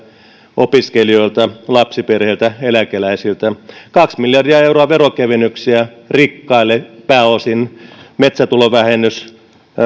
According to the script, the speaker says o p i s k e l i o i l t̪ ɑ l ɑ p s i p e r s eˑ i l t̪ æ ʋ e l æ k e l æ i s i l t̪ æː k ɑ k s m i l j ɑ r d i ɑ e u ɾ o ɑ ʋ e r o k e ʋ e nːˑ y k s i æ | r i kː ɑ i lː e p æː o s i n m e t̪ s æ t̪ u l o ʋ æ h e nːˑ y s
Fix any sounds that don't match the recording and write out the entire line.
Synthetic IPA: o p i s k e l i o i l t̪ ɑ l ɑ p s i p e r h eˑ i l t̪ æ e l æ k e l æ i s i l t̪ æ k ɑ k s m i l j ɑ r d i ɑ e u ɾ o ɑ ʋ e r o k e ʋ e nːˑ y k s i æ | r i kː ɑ i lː e p æː o s i n m e t̪ s æ t̪ u l o ʋ æ h e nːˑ y s

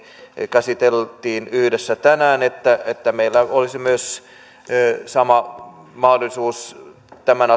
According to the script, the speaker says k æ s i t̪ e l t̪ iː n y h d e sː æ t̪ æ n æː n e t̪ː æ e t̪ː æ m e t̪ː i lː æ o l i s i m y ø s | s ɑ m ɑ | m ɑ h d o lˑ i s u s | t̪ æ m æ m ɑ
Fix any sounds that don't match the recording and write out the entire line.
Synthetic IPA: k æ s i t̪ e l t̪ iː n y h d e sː æ t̪ æ n æː n e t̪ː æ e t̪ː æ m e i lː æ o l i s i m y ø s | s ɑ m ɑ | m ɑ h d o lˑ i s uː s | t̪ æ m æ n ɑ

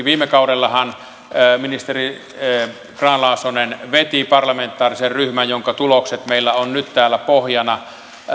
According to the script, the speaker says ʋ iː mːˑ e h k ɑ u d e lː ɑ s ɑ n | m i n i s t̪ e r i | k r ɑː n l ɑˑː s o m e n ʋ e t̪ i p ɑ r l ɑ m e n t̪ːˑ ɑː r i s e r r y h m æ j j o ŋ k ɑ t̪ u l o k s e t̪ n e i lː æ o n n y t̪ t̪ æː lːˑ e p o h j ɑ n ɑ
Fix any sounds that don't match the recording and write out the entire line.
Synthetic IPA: ʋ iː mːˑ e k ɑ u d e lː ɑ h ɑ n | m i n i s t̪ e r i | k r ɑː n l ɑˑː s o n e n ʋ e t̪ i p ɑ r l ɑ m e n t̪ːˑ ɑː r i s e r r y h m æ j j o ŋ k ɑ t̪ u l o k s e t̪ m e i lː æ o n n y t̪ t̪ æː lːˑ æ p o h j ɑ n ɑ

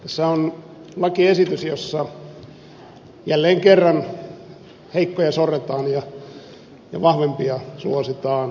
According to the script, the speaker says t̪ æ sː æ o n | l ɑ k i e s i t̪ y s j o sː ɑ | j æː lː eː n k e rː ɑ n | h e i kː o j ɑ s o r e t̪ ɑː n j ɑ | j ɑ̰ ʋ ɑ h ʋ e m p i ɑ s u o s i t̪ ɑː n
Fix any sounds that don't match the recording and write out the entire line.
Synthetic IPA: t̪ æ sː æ o n | l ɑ k i e s i t̪ y s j o sː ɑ | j æ lː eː ŋ k e rː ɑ n | h e i kː o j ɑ s o r e t̪ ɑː n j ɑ | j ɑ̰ ʋ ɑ h ʋ e m p i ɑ s u o s i t̪ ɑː n

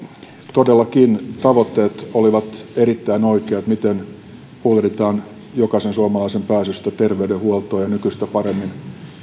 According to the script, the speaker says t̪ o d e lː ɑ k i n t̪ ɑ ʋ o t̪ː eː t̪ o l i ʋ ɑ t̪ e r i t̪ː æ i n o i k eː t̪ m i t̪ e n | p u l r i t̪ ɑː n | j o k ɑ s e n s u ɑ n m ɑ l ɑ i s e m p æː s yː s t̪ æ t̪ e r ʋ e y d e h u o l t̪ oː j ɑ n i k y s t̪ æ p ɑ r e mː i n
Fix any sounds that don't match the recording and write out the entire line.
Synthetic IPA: t̪ o d e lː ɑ k i n t̪ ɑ ʋ o t̪ː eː t̪ o l i ʋ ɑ t̪ e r i t̪ː æ i n o i k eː t̪ m i t̪ e n | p u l r i t̪ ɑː n | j o k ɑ s e n s u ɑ m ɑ l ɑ i s e m p æː s y s t̪ æ t̪ e r ʋ e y d e h u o l t̪ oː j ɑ n y k y s t̪ æ p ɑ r e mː i n

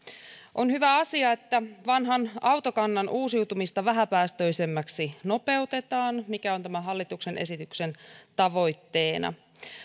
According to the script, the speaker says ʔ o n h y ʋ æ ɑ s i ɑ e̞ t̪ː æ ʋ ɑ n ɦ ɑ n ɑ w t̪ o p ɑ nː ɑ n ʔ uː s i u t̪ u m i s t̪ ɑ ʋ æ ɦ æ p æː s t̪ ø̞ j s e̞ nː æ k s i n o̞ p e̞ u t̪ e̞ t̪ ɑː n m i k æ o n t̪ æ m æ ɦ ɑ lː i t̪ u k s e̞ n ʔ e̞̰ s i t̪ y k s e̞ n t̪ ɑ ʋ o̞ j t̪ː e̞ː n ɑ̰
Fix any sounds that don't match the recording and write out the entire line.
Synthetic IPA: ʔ o n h y ʋ æ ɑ s i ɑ e̞ t̪ː æ ʋ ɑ n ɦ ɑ n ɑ w t̪ o k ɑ nː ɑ n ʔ uː s i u t̪ u m i s t̪ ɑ ʋ æ ɦ æ p æː s t̪ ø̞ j s e̞ mː æ k s i n o̞ p e̞ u t̪ e̞ t̪ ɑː n m i k æ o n t̪ æ m æ ɦ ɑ lː i t̪ u k s e̞ n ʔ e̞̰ s i t̪ y k s e̞ n t̪ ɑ ʋ o̞ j t̪ː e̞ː n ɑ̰

